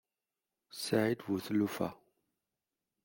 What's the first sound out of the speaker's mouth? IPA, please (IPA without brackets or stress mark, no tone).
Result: s